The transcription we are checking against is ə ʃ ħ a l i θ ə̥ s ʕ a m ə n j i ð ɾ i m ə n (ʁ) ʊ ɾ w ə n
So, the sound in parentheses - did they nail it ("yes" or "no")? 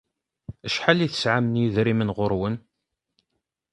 yes